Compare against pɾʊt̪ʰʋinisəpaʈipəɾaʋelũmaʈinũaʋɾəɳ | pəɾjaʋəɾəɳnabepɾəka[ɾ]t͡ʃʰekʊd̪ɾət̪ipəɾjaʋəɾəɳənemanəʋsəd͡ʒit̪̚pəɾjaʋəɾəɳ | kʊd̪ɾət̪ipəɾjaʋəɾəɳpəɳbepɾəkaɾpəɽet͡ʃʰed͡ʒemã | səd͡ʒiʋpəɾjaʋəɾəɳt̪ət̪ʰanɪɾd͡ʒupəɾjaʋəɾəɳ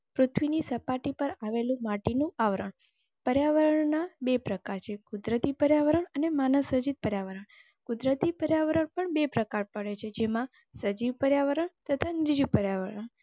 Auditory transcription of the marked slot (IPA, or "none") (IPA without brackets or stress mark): ɾ